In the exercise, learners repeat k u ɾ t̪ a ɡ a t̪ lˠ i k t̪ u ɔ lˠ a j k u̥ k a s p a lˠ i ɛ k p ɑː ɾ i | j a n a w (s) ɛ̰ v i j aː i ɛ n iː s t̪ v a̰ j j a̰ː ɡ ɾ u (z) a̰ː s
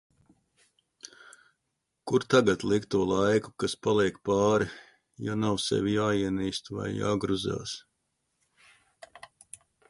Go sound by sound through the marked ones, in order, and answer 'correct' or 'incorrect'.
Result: correct, correct

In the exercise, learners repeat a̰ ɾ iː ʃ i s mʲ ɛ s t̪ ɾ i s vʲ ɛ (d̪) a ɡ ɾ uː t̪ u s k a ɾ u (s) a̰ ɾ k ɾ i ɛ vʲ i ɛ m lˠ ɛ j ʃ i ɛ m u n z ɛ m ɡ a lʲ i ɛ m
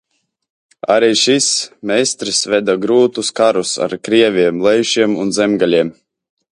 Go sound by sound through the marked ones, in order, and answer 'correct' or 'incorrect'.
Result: correct, correct

